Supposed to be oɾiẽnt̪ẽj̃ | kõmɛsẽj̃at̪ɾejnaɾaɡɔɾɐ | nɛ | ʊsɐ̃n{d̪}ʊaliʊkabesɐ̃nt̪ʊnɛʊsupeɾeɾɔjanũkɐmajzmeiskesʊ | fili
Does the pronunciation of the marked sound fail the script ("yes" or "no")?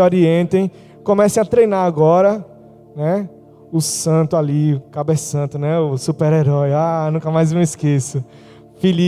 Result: yes